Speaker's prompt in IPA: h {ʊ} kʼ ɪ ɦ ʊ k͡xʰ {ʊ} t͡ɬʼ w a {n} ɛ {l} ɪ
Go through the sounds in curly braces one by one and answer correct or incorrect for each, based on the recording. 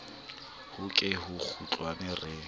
correct, incorrect: u, correct, incorrect: r

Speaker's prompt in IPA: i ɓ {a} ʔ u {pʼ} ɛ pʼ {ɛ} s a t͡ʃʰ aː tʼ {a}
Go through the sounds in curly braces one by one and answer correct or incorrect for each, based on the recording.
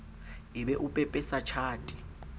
incorrect: ɛ, correct, correct, incorrect: i

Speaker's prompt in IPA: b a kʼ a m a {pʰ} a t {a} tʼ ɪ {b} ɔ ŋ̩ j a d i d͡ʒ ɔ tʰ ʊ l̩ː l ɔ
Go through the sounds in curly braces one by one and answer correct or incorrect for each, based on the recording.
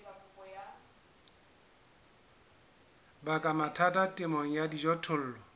incorrect: tʰ, correct, incorrect: m

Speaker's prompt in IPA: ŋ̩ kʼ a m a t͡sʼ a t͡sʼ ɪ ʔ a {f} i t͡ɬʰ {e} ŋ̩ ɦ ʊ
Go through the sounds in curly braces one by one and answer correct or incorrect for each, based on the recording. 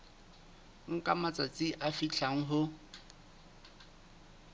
correct, incorrect: a

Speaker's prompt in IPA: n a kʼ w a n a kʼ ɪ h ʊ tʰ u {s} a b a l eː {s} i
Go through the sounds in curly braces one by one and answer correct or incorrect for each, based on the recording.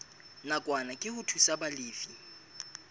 correct, incorrect: f

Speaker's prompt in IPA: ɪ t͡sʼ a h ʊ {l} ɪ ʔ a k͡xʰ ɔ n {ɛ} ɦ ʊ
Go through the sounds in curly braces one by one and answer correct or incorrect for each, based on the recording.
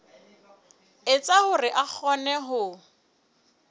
incorrect: r, correct

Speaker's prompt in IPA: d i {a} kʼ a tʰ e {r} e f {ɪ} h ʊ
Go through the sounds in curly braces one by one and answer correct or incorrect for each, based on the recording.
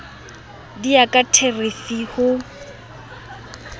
correct, correct, incorrect: i

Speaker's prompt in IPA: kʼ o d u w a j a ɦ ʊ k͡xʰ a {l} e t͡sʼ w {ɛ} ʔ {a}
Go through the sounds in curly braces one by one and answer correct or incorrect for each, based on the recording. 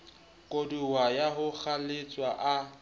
correct, incorrect: a, correct

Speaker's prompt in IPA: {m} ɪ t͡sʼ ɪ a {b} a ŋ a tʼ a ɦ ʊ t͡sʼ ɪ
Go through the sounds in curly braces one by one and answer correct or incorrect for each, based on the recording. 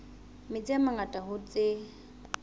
correct, incorrect: m

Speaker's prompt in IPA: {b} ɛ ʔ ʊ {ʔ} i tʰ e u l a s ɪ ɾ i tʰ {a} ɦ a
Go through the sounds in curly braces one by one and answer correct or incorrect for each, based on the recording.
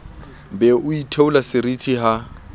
correct, incorrect: none, incorrect: i

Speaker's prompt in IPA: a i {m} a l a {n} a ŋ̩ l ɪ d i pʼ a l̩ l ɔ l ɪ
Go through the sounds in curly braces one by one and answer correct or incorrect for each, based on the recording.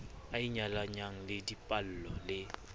incorrect: ɲ, incorrect: ɲ

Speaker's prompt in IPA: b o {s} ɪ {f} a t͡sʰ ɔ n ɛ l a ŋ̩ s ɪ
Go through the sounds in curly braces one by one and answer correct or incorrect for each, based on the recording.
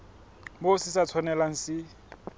correct, incorrect: s

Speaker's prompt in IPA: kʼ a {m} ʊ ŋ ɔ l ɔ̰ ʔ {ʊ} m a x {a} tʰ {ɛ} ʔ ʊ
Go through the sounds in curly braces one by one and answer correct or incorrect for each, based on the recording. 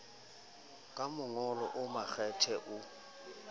correct, correct, incorrect: ɛ, correct

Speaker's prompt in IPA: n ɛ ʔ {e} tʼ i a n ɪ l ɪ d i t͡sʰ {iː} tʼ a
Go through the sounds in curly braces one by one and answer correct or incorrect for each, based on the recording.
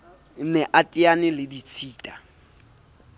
incorrect: a, correct

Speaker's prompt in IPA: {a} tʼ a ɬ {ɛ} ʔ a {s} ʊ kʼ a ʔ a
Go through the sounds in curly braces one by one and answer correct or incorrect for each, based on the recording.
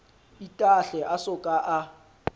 incorrect: i, correct, correct

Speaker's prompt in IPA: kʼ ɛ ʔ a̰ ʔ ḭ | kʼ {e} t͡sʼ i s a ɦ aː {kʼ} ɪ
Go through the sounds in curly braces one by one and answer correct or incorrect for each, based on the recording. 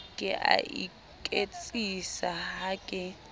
correct, correct

